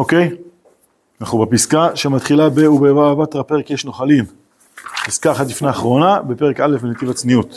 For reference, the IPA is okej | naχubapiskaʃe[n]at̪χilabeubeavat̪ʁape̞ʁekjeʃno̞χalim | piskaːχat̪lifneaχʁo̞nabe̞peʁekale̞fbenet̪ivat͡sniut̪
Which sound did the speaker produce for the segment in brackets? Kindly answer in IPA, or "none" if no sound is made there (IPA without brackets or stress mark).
m